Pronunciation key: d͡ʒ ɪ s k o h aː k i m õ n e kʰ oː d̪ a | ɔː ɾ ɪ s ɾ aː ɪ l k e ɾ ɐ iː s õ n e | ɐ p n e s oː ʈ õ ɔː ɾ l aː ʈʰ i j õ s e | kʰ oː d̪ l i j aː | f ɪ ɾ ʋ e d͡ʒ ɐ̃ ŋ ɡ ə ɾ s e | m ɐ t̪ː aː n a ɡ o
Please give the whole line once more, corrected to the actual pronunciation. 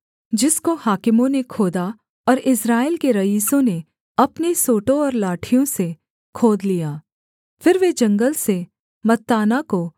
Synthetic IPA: d͡ʒ ɪ s k o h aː k ɪ m õ n e kʰ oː d̪ a | ɔː ɾ ɪ s ɾ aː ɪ l k e ɾ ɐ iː s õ n e | ɐ p n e s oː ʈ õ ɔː ɾ l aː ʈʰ i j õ s e | kʰ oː d̪ l i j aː | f ɪ ɾ ʋ e d͡ʒ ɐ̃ ŋ ɡ ə l s e | m ɐ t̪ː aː n a k o

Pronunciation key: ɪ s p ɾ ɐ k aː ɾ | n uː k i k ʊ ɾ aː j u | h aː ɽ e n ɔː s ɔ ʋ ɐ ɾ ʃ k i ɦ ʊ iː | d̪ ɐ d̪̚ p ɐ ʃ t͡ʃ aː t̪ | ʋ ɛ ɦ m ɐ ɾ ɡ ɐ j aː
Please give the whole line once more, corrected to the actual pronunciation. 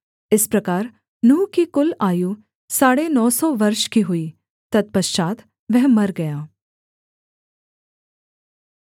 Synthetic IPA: ɪ s p ɾ ɐ k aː ɾ | n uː k i k ʊ l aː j u | s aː ɽ e n ɔː s ɔ ʋ ɐ ɾ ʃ k i ɦ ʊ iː | t̪ ɐ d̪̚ p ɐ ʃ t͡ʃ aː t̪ | ʋ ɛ ɦ m ɐ ɾ ɡ ɐ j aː

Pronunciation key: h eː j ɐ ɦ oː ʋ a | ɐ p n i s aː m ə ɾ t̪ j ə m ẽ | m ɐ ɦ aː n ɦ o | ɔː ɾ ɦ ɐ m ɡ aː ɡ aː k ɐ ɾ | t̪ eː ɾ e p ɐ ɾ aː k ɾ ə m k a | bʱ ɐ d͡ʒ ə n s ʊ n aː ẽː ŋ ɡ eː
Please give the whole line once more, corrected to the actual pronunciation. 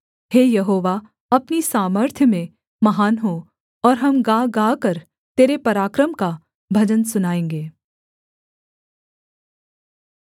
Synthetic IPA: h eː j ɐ ɦ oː ʋ a | ɐ p n i s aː m ə ɾ t̪ʰ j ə m ẽ | m ɐ ɦ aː n ɦ o | ɔː ɾ ɦ ɐ m ɡ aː ɡ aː k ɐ ɾ | t̪ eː ɾ e p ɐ ɾ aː k ɾ ə m k a | bʱ ɐ d͡ʒ ə n s ʊ n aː ẽː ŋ ɡ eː

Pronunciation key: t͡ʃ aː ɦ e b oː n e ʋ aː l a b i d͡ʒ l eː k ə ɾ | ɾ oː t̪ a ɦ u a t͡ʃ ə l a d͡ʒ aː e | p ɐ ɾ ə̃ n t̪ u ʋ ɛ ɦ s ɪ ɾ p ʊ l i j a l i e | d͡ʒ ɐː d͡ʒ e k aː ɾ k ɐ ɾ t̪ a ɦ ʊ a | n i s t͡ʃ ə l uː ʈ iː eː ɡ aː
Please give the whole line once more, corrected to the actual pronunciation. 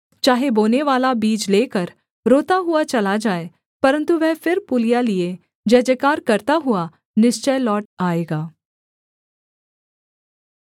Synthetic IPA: t͡ʃ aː ɦ e b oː n e ʋ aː l a b iː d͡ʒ l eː k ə ɾ | ɾ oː t̪ a ɦ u a t͡ʃ ɐ l a d͡ʒ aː e | p ɐ ɾ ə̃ n t̪ u ʋ ɛ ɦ f ɪ ɾ p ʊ l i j a l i e | d͡ʒ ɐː d͡ʒ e k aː ɾ k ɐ ɾ t̪ a ɦ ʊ a | n ɪ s t͡ʃ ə l ɔː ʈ aː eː ɡ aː

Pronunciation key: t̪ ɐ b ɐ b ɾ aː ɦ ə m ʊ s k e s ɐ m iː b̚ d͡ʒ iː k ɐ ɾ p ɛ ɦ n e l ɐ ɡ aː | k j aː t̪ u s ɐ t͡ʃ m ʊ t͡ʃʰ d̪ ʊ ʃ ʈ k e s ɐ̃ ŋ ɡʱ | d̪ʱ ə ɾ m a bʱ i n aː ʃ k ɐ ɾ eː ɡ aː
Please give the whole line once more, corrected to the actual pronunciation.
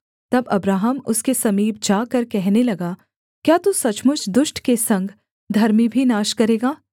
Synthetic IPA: t̪ ɐ b ɐ b ɾ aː ɦ ə m ʊ s k e s ɐ m iː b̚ d͡ʒ aː k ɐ ɾ k ɛ ɦ n e l ɐ ɡ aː | k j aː t̪ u s ɐ t͡ʃ m ʊ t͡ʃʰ d̪ ʊ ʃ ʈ k e s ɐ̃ ŋ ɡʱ | d̪ʱ ɐ ɾ m i bʱ i n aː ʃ k ɐ ɾ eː ɡ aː

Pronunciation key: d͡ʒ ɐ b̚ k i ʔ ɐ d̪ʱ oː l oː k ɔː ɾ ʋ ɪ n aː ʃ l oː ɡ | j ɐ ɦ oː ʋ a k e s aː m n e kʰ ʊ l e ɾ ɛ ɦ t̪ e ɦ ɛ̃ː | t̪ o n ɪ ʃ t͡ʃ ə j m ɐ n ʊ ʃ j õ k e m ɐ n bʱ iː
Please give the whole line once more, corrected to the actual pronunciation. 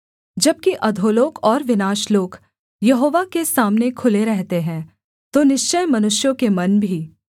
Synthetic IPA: d͡ʒ ɐ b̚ k i ʔ ɐ d̪ʱ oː l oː k ɔː ɾ ʋ ɪ n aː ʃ l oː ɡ | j ɐ ɦ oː ʋ a k e s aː m n e kʰ ʊ l e ɾ ɛ ɦ t̪ e ɦ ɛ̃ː | t̪ o n ɪ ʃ t͡ʃ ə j m ɐ n ʊ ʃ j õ k e m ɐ n bʱ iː

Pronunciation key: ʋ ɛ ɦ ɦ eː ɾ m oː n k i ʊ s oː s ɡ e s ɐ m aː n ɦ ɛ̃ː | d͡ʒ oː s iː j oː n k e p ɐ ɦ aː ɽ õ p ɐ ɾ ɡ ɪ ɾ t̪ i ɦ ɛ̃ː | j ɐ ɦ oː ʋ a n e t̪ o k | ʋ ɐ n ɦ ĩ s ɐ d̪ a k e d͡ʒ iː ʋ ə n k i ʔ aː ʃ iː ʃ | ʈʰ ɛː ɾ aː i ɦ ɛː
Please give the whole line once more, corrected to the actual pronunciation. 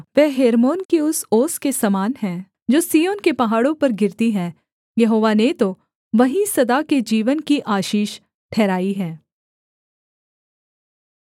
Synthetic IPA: ʋ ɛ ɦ ɦ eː ɾ m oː n k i ʊ s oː s k e s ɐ m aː n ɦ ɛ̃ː | d͡ʒ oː s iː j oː n k e p ɐ ɦ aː ɽ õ p ɐ ɾ ɡ ɪ ɾ t̪ i ɦ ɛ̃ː | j ɐ ɦ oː ʋ a n e t̪ o | ʋ ɐ ɦ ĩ s ɐ d̪ a k e d͡ʒ iː ʋ ə n k i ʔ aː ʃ iː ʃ | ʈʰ ɛː ɾ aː i ɦ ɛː

